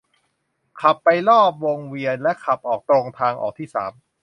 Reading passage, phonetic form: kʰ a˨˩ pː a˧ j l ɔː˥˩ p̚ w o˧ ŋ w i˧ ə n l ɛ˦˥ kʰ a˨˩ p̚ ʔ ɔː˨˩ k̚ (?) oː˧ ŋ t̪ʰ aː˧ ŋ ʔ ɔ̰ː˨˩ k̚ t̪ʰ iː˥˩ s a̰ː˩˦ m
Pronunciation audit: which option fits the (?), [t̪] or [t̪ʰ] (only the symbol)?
t̪